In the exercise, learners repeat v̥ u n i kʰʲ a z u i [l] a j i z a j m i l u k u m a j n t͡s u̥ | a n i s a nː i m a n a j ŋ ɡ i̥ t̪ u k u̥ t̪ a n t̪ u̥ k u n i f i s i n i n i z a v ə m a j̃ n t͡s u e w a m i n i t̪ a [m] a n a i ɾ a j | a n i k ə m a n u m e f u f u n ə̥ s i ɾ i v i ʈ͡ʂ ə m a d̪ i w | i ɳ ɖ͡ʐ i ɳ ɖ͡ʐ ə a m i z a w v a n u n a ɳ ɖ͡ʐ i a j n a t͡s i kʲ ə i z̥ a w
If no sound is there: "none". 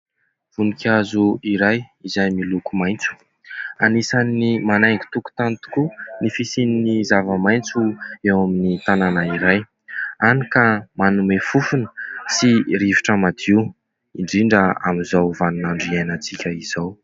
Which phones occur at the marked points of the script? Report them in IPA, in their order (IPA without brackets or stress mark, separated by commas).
ɾ, n